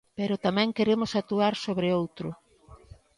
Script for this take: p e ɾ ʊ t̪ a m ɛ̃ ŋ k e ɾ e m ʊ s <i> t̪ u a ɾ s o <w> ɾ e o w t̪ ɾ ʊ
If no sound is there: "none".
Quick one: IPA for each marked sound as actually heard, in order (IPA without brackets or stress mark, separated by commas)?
a, β